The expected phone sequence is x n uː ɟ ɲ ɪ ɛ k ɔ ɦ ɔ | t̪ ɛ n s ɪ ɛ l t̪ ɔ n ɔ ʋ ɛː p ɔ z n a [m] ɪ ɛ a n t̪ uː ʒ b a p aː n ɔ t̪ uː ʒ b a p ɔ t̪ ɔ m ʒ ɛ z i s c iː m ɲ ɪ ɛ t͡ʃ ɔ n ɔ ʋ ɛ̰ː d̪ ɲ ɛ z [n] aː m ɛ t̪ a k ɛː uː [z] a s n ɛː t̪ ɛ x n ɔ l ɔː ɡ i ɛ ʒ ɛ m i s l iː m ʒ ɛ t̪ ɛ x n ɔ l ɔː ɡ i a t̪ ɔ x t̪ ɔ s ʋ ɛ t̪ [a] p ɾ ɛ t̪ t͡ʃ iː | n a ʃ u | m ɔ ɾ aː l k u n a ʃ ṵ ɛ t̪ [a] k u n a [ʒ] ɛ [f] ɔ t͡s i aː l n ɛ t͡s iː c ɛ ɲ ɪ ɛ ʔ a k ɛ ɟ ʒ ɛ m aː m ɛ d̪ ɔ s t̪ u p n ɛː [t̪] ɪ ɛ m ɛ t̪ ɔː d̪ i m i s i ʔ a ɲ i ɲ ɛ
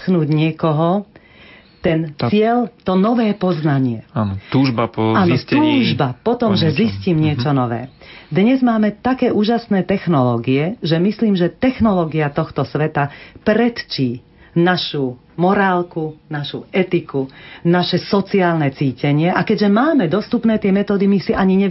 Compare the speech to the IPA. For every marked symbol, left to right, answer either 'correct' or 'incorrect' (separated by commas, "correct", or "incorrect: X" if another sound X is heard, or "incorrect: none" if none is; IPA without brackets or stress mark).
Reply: incorrect: ɲ, incorrect: m, incorrect: ʒ, correct, incorrect: i, incorrect: ʃ, incorrect: s, correct